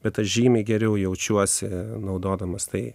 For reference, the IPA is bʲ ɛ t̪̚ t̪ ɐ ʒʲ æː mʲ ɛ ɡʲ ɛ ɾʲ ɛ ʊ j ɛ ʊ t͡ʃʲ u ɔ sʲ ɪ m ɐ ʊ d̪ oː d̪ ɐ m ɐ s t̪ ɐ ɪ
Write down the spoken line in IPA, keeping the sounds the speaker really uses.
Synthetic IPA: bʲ ɛ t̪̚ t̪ ɐ ʒʲ iː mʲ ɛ ɡʲ ɛ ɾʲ ɛ ʊ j ɛ ʊ t͡ʃʲ u ɔ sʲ ɪ n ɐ ʊ d̪ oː d̪ ɐ m ɐ s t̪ ɐ ɪ